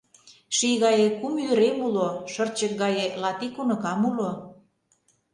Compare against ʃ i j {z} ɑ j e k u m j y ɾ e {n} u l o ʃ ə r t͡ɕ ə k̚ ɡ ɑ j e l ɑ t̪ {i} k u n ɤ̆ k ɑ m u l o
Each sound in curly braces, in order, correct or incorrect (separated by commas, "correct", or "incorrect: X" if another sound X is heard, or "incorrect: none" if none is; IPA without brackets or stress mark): incorrect: ɣ, incorrect: m, correct